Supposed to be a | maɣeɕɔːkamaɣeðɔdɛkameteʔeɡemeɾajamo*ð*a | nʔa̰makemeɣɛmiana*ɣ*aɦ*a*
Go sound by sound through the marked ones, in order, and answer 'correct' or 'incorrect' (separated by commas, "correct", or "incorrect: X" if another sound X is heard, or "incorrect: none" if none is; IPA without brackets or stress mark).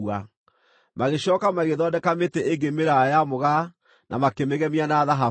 incorrect: ɣ, incorrect: ð, correct